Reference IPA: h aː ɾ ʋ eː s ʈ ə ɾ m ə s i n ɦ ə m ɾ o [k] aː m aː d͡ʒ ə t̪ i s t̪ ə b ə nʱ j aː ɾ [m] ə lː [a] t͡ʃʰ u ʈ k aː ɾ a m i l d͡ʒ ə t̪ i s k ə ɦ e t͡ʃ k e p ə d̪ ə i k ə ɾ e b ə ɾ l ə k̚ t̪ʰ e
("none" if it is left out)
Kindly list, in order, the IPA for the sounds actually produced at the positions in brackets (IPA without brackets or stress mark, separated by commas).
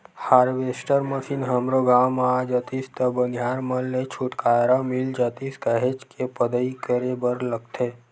ɡ, m, e